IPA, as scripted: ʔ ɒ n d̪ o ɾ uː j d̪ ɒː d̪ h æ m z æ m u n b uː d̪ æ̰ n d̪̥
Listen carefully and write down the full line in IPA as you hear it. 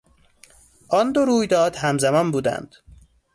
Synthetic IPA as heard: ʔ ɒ n d̪ o ɾ uː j d̪ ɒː d̪ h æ m z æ m ɒ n b uː d̪ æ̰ n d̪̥